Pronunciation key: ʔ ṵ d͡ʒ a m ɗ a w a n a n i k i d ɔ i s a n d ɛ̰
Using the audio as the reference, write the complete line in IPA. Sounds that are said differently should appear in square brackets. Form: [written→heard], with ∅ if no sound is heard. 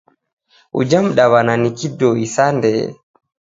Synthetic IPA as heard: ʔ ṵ d͡ʒ a m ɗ a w a n a n i k i d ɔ i s a n d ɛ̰